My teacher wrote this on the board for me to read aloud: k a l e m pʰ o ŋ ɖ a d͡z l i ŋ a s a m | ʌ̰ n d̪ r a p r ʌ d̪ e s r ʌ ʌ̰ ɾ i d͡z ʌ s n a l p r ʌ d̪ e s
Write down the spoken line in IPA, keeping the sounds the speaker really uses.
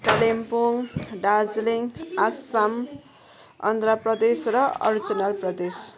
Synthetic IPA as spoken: k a l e m p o ŋ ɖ a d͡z l i ŋ a s a m | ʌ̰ n d̪ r a p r ʌ d̪ e s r ʌ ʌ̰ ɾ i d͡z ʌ n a l p r ʌ d̪ e s